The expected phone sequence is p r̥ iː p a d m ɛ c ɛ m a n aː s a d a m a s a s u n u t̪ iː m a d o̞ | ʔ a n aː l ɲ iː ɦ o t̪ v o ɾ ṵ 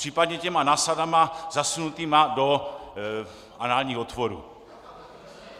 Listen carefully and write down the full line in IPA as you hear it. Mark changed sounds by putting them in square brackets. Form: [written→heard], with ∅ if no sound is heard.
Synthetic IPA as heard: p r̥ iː p a d [m→ɲ] ɛ c ɛ m a n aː s a d a m a [s→z] a s u n u t̪ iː m a d o̞ | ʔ a n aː l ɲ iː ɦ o t̪ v o ɾ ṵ